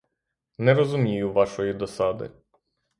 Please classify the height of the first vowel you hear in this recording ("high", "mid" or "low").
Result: mid